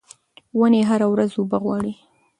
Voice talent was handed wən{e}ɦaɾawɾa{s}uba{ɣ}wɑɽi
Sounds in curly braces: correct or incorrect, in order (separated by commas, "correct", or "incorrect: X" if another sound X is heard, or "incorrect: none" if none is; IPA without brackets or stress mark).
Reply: correct, incorrect: z, correct